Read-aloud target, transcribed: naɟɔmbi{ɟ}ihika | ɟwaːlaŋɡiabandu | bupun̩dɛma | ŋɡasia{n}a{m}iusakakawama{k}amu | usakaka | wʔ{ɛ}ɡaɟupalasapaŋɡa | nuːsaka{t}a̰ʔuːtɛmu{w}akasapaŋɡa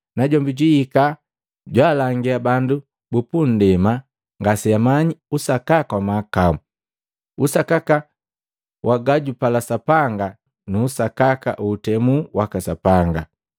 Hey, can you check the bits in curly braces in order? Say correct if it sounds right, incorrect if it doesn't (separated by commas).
correct, incorrect, incorrect, correct, incorrect, incorrect, correct